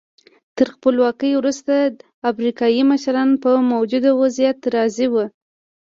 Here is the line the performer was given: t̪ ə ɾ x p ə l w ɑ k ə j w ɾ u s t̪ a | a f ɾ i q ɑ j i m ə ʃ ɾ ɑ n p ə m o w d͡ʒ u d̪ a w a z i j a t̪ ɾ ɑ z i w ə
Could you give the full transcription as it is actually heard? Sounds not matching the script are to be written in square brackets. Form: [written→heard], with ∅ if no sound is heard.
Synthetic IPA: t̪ ə ɾ x p ə l w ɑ k ə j w ɾ u s t̪ a | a f ɾ i [q→k] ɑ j i m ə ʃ ɾ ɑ n p ə m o w d͡ʒ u d̪ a w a z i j a t̪ ɾ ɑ z i w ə